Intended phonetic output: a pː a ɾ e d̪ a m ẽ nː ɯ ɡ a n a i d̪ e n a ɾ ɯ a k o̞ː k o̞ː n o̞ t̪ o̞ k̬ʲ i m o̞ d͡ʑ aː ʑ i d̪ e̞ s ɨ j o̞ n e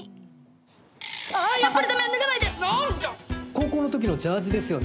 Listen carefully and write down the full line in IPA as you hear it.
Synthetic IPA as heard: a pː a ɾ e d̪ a m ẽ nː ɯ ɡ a n a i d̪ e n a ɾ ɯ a k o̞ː k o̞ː n o̞ t̪ o̞ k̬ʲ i n o̞ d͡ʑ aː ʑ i d̪ e̞ s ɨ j o̞ n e